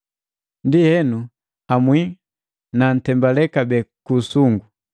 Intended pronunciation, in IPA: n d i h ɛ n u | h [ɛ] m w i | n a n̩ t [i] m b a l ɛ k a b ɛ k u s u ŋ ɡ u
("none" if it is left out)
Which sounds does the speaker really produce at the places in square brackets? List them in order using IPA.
a, ɛ

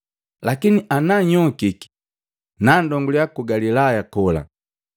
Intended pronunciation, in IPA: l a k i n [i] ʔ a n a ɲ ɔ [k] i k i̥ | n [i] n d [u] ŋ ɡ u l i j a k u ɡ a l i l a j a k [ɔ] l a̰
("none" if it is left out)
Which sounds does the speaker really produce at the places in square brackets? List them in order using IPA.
i, k, a, ɔ, ɔ

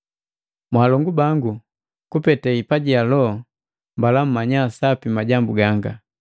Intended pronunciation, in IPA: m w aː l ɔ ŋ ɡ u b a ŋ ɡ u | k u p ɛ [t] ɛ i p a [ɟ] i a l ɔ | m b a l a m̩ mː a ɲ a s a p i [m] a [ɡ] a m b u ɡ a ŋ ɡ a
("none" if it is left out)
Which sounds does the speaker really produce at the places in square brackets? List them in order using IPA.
t, ɟ, m, ɟ

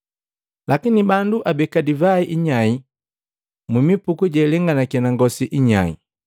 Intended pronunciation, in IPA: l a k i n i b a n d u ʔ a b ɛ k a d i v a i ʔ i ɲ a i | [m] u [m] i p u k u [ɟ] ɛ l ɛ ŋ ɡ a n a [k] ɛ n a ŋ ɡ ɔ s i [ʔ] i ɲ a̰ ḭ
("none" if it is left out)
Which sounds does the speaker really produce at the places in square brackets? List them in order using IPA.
m, m, ɟ, k, ʔ

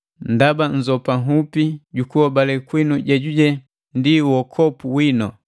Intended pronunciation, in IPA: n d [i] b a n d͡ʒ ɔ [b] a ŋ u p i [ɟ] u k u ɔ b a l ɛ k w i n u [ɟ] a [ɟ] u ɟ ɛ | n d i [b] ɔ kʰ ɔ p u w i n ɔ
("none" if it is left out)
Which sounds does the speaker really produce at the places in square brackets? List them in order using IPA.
a, p, ɟ, ɟ, ɟ, w

